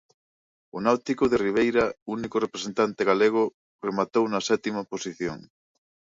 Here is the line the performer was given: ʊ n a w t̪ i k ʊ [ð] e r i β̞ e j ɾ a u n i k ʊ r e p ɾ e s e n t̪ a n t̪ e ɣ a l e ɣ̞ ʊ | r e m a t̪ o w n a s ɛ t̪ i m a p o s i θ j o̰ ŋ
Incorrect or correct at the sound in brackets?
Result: correct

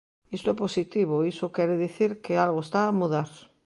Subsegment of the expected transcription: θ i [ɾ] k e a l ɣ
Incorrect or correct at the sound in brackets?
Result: correct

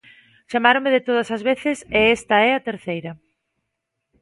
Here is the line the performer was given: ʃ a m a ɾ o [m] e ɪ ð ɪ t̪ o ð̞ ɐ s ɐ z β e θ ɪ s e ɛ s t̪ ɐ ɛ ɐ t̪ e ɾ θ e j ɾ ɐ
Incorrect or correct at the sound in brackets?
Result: correct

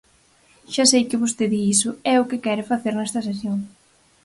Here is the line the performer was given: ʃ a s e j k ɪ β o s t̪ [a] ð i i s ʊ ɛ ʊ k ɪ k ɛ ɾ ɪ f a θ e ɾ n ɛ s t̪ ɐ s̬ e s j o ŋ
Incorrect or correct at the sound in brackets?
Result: incorrect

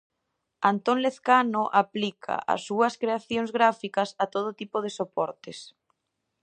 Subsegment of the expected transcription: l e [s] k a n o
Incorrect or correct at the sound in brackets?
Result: incorrect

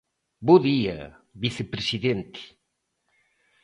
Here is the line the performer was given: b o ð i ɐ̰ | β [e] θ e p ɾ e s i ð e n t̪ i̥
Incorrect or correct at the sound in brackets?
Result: incorrect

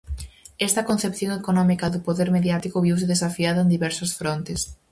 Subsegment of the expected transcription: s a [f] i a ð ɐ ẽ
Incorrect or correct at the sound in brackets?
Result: correct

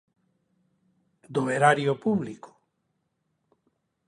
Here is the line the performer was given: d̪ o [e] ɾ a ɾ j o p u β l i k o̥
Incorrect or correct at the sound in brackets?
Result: correct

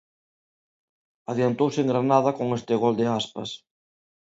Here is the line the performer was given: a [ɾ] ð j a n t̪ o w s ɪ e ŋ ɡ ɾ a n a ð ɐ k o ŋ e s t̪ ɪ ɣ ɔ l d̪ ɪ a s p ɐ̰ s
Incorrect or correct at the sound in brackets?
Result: incorrect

